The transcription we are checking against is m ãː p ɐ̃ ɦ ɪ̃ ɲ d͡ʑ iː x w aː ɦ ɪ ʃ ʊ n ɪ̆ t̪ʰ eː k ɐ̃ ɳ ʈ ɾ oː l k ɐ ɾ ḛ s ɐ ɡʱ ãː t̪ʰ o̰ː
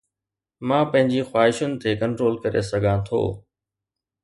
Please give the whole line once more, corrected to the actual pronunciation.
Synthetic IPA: m ãː p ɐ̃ ɦ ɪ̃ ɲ d͡ʑ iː x w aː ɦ ɪ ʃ ʊ n ɪ̆ t̪ʰ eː k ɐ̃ ɳ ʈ ɾ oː l k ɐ ɾ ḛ s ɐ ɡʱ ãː t̪ʰ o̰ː